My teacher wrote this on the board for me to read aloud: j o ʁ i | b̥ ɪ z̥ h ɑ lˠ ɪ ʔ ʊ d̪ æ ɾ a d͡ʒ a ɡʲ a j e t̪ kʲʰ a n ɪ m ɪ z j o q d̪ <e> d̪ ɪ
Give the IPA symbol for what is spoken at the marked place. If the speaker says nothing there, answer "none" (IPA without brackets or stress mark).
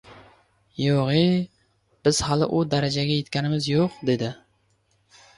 e